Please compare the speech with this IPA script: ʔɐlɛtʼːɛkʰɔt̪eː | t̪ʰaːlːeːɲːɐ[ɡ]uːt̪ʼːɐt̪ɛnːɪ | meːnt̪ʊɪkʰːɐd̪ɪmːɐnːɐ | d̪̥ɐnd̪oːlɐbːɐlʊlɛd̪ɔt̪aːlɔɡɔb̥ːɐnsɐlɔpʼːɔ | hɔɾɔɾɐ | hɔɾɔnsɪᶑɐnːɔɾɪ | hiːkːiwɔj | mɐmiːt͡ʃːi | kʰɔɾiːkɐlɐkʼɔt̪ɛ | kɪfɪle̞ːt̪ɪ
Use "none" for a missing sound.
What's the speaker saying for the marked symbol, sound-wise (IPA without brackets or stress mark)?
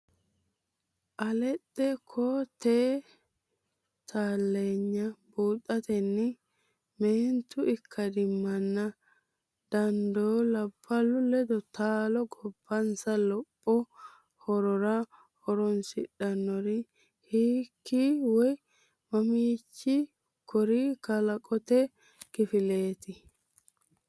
b